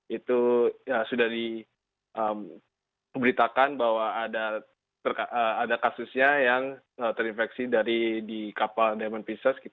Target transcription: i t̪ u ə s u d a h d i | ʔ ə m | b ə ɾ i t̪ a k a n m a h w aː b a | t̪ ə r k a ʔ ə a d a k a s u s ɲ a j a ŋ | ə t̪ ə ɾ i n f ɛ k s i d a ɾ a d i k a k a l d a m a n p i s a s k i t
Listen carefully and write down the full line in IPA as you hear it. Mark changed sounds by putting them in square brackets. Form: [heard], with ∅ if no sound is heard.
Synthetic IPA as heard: i t̪ u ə s u d a h d i | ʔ ə m | b ə ɾ i t̪ a k a n [b] a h w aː [d] a | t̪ ə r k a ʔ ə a d a k a s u s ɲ a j a ŋ | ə t̪ ə ɾ i n f ɛ k s i d a ɾ [i] d i k a [p] a l d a m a n p i s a s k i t